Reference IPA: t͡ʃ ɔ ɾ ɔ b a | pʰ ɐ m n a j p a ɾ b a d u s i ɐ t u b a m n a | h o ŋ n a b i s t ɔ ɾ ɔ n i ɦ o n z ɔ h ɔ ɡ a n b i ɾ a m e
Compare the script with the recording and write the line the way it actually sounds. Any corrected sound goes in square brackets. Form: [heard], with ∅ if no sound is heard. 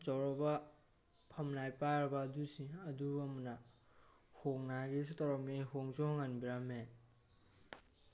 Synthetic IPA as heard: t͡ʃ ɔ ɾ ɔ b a | pʰ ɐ m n a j p a ɾ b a d u s i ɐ [d] u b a m n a | h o ŋ n a [ɡ] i s t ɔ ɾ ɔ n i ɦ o [ŋ] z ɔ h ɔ [ŋ] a n b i ɾ a m e

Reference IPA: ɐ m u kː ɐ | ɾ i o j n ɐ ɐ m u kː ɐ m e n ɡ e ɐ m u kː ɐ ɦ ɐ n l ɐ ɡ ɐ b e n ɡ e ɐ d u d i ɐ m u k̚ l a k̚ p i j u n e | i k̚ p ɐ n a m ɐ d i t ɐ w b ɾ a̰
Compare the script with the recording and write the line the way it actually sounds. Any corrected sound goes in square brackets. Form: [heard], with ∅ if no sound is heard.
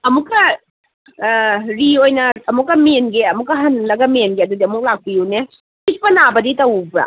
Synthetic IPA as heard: ɐ m u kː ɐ | ɾ i o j n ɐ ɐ m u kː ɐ m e n ɡ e ɐ m u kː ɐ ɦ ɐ n l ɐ ɡ ɐ [m] e n ɡ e ɐ d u d i ɐ m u k̚ l a k̚ p i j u n e | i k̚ p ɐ n a [b] ɐ d i t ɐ w b ɾ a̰

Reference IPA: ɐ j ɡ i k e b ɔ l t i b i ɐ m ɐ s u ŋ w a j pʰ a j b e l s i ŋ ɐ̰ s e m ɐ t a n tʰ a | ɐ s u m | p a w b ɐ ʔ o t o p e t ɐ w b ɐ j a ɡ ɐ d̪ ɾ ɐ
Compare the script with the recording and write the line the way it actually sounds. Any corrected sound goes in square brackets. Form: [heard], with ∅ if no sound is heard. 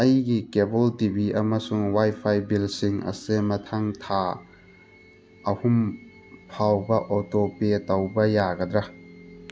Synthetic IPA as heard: ɐ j ɡ i k e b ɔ l t i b i ɐ m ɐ s u ŋ w a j pʰ a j b [i] l s i ŋ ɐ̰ s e m ɐ [tʰ] a [ŋ] tʰ a | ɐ [h] u m | [pʰ] a w b ɐ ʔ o t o p e t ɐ w b ɐ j a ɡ ɐ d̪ ɾ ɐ

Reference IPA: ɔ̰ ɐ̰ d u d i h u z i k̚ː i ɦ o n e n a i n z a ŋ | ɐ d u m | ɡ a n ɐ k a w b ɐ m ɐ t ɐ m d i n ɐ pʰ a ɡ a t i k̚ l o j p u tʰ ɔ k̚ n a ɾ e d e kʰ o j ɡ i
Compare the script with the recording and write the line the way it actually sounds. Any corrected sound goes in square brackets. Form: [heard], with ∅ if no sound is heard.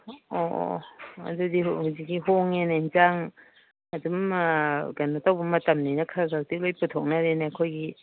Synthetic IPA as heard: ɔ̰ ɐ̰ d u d i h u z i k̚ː i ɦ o [ŋ] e n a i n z a ŋ | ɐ d u m | ɡ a n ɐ [t] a w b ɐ m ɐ t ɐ m [n] i n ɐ [kʰ] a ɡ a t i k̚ l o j p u tʰ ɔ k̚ n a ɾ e [n] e kʰ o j ɡ i

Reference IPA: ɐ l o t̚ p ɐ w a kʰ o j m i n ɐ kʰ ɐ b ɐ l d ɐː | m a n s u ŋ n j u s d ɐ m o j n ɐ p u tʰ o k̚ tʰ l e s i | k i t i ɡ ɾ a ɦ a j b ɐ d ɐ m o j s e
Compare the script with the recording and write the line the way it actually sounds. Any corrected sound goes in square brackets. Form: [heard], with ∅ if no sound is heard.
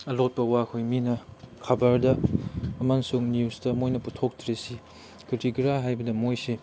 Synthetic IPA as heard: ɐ l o t̚ p ɐ w a kʰ o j m i n ɐ kʰ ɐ b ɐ [ɾ] d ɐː | m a n s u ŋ n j u s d ɐ m o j n ɐ p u tʰ o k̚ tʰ [ɾ] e s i | k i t i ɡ ɾ a ɦ a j b ɐ d ɐ m o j s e

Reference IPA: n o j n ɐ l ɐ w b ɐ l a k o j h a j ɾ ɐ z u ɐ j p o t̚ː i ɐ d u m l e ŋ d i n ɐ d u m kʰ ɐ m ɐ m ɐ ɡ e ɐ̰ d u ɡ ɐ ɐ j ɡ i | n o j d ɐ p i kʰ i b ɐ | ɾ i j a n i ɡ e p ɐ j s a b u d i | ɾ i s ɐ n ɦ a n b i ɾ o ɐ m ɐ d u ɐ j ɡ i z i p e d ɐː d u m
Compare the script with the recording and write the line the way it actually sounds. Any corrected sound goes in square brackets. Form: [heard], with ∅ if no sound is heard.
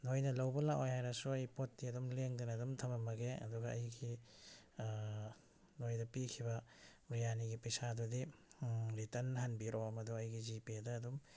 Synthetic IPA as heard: n o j n ɐ l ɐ w b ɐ l a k o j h a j ɾ ɐ [s] u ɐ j p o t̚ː i ɐ d u m l e ŋ d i n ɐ d u m [tʰ] ɐ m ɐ m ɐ ɡ e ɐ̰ d u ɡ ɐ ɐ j ɡ i | n o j d ɐ p i kʰ i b ɐ | ɾ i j a n i ɡ [i] p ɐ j s a [d] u d i | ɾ i [t] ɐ n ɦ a n b i ɾ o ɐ m ɐ d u ɐ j ɡ i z i p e d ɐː d u m

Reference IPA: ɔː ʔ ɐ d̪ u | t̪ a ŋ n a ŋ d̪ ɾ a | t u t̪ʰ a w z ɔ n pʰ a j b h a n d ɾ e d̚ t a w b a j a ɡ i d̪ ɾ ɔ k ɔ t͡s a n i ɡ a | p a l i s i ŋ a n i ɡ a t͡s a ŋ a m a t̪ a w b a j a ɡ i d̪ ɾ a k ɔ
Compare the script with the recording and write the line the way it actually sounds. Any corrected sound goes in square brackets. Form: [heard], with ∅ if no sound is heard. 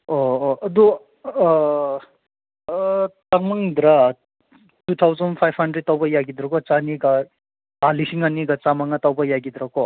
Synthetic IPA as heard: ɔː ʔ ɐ d̪ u | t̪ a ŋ [m] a ŋ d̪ ɾ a | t u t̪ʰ a w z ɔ n pʰ a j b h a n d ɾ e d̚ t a w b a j a ɡ i d̪ ɾ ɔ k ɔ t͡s a n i ɡ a | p a l i s i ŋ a n i ɡ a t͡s a [m] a [ŋ] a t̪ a w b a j a ɡ i d̪ ɾ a k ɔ

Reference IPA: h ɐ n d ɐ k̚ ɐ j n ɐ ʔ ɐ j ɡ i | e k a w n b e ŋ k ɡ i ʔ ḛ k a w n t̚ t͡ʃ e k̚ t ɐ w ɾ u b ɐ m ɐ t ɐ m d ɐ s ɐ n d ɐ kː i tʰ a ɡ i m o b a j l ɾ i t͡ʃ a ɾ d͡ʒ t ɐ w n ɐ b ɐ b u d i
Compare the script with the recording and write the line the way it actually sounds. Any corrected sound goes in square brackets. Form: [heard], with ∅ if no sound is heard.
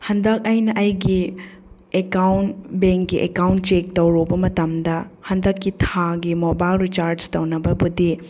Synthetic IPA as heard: h ɐ n d ɐ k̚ ɐ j n ɐ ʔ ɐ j ɡ i | e k a w n b e ŋ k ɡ i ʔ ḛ k a w n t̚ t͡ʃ e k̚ t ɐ w ɾ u b ɐ m ɐ t ɐ m d ɐ [h] ɐ n d ɐ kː i tʰ a ɡ i m o b a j l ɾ i t͡ʃ a ɾ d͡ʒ t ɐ w n ɐ b ɐ b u d i

